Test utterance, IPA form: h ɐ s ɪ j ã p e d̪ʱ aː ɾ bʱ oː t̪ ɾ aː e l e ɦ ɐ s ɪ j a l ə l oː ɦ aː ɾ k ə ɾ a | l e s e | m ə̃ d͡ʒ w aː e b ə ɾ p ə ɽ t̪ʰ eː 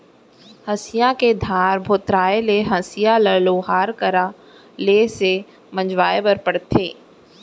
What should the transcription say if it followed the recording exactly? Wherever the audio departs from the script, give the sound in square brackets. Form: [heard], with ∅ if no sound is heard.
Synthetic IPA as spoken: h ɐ s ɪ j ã [k] e d̪ʱ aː ɾ bʱ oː t̪ ɾ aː e l e ɦ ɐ s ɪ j a l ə l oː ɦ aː ɾ k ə ɾ a | l e s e | m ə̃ d͡ʒ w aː e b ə ɾ p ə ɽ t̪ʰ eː